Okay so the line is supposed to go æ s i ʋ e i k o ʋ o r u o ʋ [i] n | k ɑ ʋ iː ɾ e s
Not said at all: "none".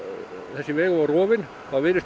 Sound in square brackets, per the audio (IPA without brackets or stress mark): i